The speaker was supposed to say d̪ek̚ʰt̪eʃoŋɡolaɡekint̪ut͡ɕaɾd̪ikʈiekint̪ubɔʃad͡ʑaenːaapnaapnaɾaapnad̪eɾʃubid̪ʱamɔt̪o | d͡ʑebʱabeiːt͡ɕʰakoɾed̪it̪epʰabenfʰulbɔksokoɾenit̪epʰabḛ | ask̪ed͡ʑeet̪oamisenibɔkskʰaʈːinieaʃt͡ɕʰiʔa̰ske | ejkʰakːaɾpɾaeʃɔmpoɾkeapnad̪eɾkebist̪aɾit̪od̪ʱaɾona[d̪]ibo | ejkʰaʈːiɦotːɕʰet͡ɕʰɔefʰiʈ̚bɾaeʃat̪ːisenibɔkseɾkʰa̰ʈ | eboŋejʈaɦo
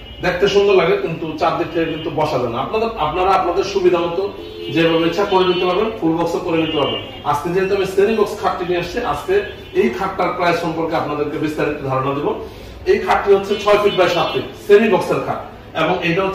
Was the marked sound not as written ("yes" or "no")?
no